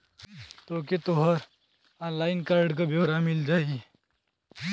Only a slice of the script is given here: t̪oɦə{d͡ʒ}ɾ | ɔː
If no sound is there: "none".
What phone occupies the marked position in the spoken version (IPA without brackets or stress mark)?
none